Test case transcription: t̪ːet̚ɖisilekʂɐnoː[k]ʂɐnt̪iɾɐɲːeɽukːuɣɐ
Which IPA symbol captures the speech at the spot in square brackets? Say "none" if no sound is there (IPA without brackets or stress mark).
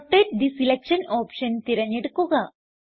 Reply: p